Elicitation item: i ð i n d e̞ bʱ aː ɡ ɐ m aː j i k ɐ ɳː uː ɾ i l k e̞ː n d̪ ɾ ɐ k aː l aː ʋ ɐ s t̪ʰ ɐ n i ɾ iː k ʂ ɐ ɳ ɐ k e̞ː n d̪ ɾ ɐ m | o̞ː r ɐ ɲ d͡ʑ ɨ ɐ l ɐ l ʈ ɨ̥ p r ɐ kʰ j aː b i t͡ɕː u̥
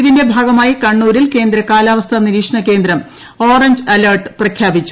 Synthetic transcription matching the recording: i ð i n d e̞ bʱ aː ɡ ɐ m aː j i k ɐ ɳː uː ɾ i l k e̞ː n d̪ ɾ ɐ k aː l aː ʋ ɐ s t̪ʰ ɐ n i ɾ iː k ʂ ɐ ɳ ɐ k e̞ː n d̪ ɾ ɐ m | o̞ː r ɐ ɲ d͡ʑ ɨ ɐ l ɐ r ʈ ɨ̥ p r ɐ kʰ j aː b i t͡ɕː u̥